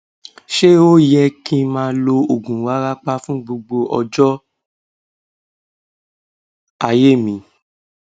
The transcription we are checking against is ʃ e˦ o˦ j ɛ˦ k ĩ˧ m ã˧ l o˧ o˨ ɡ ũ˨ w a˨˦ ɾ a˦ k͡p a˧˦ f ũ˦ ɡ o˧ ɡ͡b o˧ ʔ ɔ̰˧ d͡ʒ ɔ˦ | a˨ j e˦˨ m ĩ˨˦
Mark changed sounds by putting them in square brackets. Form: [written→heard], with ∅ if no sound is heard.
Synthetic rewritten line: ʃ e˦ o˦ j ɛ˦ k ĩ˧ m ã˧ l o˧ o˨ ɡ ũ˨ w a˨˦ ɾ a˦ k͡p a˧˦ f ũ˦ [ɡ→ɡ͡b] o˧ ɡ͡b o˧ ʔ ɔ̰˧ d͡ʒ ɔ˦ | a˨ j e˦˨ m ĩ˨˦